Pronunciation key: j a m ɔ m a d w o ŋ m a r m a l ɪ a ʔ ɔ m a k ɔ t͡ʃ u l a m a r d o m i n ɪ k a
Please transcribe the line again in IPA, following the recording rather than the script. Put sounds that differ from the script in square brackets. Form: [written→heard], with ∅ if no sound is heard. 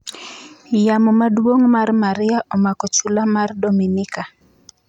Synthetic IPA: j a m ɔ m a d w o ŋ m a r m a [l→ɾ] ɪ a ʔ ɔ m a k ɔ t͡ʃ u l a m a r d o m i n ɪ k a